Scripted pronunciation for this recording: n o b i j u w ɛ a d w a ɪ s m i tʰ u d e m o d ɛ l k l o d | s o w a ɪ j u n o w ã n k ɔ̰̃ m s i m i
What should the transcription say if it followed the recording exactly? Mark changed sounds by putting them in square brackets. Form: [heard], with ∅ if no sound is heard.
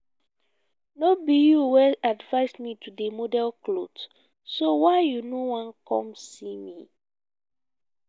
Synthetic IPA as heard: n o b i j u w ɛ a d [v] a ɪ s m i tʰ u d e m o d ɛ l k l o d | s o w a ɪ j u n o w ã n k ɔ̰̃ m s i m i